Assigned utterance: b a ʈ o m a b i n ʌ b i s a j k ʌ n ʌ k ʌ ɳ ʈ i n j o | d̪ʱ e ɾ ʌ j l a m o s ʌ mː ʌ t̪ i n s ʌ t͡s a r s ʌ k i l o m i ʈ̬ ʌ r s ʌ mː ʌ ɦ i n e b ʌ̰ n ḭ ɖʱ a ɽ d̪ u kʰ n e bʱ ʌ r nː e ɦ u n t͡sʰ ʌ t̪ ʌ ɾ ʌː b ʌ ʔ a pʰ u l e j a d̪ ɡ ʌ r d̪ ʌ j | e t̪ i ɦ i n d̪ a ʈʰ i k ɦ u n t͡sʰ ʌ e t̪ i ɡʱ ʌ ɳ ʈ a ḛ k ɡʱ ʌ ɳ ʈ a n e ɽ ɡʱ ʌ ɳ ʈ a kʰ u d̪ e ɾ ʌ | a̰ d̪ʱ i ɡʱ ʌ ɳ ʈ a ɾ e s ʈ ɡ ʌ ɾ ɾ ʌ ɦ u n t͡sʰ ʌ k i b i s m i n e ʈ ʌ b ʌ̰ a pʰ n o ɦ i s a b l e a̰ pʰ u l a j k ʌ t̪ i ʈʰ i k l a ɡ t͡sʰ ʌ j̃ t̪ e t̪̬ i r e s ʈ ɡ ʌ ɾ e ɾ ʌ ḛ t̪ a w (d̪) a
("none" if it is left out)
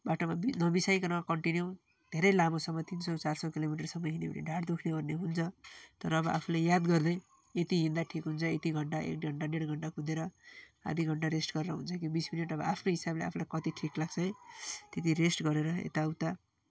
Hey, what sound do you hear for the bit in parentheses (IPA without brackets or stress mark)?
t̪